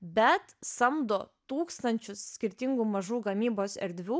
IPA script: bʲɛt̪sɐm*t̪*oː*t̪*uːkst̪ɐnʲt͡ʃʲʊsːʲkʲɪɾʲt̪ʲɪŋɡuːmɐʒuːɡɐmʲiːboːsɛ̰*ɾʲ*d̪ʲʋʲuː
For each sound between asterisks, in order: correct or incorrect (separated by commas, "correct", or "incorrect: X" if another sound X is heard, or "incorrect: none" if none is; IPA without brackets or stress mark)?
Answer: incorrect: d̪, correct, correct